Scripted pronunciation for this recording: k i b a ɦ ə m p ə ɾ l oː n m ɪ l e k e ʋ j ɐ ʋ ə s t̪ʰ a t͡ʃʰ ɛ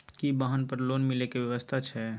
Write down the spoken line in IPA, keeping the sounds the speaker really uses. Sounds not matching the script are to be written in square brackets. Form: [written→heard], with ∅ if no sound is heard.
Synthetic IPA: k i b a ɦ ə [m→n] p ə ɾ l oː n m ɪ l e k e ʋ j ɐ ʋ ə s t̪ʰ a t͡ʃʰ ɛ